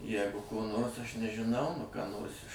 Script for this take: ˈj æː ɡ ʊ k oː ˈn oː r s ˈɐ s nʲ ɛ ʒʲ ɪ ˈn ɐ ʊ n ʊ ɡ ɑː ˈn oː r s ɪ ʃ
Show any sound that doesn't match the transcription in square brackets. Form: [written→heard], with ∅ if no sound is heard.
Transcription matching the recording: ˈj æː ɡ ʊ k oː ˈn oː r s ˈɐ [s→ʃ] nʲ ɛ ʒʲ ɪ ˈn ɐ ʊ n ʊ [ɡ→k] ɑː ˈn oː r s ɪ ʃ